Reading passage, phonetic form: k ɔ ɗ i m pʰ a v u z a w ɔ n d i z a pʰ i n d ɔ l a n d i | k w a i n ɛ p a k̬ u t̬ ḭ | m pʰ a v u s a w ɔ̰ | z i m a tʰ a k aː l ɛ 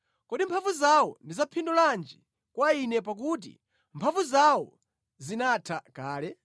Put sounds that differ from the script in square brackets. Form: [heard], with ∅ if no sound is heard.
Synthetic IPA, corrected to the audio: k ɔ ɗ i m pʰ a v u z a w ɔ n d i z a pʰ i n d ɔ l a n [d͡ʒ] i | k w a i n ɛ p a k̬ u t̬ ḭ | m pʰ a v u [z] a w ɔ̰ | z i [n] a tʰ a k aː l ɛ

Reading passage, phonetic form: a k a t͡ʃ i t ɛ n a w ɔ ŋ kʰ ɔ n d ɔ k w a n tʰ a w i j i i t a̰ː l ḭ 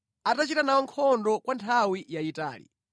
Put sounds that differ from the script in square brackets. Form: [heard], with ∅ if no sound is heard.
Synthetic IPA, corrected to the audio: a [t] a t͡ʃ i t [a] n a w ɔ ŋ kʰ ɔ n d ɔ k w a n tʰ a w i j [a] i t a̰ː l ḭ

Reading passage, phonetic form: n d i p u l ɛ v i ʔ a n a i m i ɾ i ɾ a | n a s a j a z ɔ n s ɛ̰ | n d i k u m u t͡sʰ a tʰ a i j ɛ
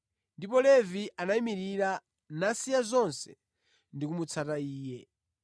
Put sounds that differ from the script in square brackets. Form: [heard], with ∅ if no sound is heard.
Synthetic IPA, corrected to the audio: n d i p [ɔ] l ɛ v i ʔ a n a i m i ɾ i ɾ a | n a s [i] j a z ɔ n s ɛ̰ | n d i k u m u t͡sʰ a [t] a [iː] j ɛ

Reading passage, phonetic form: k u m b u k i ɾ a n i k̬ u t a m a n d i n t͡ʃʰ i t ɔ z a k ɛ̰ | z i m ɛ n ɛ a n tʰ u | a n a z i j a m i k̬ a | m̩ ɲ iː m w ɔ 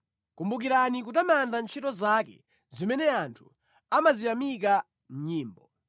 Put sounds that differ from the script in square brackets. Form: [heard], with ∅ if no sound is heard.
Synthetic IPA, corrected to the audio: k u m b u k i ɾ a n i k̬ u t a m a n d [a] n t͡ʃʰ i t ɔ z a k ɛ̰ | z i m ɛ n ɛ a n tʰ u | a [m] a z i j a m i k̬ a | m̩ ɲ iː m [b] ɔ

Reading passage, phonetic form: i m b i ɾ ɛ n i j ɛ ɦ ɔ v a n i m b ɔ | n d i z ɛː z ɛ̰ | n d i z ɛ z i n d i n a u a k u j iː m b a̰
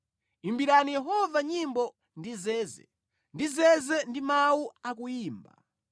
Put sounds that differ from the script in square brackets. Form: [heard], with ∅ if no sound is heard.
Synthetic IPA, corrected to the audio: i m b i ɾ [a] n i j ɛ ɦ ɔ v a [ɲ] i m b ɔ | n d i z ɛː z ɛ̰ | n d i z ɛ z [ɛ] n d i [m] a u a k u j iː m b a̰

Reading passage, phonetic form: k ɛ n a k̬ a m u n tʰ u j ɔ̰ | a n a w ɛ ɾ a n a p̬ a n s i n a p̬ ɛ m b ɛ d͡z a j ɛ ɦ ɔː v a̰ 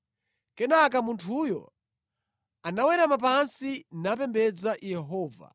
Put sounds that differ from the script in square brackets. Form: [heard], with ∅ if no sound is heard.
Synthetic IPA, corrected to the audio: k ɛ n a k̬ a m u n tʰ u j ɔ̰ | a n a w ɛ ɾ a [m] a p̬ a n s i n a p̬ ɛ m b ɛ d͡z a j ɛ ɦ ɔː v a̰

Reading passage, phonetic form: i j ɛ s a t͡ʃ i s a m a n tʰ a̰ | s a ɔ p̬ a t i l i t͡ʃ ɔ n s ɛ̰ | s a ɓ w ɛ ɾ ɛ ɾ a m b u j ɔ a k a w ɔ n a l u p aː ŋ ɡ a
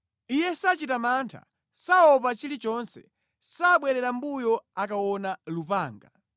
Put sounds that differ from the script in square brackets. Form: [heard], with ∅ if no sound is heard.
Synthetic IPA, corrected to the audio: i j ɛ s a t͡ʃ i [t] a m a n tʰ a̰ | s a ɔ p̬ a [t͡ʃ] i l i t͡ʃ ɔ n s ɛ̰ | s a ɓ w ɛ ɾ ɛ ɾ a m b u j ɔ a k a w ɔ n a l u p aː ŋ ɡ a

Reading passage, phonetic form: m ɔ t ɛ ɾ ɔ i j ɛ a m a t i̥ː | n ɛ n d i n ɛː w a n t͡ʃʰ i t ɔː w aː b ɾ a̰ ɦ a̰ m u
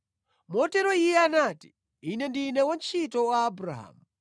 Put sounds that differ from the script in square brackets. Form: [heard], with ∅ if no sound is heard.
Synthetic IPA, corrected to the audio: m ɔ t ɛ ɾ ɔ i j ɛ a [n] a t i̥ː | n ɛ n d i n [ɛ] w a n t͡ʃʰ i t [ɔ] w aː b ɾ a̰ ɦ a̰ m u

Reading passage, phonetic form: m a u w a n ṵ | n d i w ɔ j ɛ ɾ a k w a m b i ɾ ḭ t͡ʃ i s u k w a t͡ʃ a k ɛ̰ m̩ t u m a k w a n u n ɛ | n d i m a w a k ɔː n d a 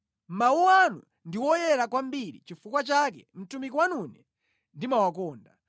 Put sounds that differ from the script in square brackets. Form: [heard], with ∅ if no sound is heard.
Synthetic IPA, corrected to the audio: m a u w a n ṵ | n d i w ɔ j ɛ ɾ a k w a m b i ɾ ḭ t͡ʃ i [f] u k w a t͡ʃ a k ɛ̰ m̩ t u m [i] k w a n u n ɛ | n d i m a w a k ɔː n d a

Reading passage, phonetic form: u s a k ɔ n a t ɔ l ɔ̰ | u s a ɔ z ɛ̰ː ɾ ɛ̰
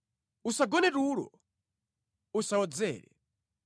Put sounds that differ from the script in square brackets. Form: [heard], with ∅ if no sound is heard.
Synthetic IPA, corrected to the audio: u s a [ɡ] ɔ n [ɛ] t [u] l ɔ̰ | u s a ɔ [d͡z] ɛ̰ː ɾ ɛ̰

